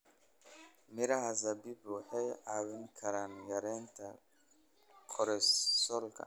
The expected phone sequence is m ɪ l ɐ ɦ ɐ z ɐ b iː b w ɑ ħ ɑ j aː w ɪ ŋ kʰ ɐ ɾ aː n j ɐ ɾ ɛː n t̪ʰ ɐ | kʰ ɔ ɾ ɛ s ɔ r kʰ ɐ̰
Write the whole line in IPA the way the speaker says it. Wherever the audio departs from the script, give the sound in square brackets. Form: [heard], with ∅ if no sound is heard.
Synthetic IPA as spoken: m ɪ [ɾ] ɐ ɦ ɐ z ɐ b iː b w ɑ ħ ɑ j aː w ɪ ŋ kʰ ɐ ɾ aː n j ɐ ɾ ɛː n t̪ʰ ɐ | kʰ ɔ ɾ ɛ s ɔ [l] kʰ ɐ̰